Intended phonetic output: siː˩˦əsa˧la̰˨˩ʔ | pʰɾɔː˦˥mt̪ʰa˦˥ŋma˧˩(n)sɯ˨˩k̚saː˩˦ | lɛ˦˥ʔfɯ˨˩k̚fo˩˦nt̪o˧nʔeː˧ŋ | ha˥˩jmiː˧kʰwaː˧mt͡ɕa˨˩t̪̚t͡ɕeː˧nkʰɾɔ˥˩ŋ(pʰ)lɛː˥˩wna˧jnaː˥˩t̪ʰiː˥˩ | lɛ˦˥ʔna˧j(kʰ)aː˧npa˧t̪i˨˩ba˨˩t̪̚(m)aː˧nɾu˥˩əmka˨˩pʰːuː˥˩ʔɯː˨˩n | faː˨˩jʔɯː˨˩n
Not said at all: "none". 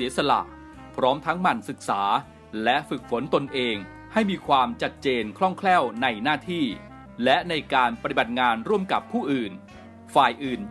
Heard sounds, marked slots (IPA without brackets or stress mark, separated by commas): n, kʰ, k, ŋ